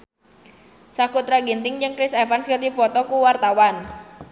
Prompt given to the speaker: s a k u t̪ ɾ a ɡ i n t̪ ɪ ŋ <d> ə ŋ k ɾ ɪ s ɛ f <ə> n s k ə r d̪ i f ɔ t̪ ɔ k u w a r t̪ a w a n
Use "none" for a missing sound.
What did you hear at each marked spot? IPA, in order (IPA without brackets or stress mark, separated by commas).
d͡ʒ, a